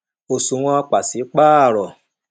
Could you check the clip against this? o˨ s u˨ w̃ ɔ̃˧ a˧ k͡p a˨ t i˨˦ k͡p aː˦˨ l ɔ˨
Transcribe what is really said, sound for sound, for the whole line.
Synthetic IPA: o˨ s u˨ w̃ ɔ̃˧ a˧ k͡p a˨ s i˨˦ k͡p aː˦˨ ɾ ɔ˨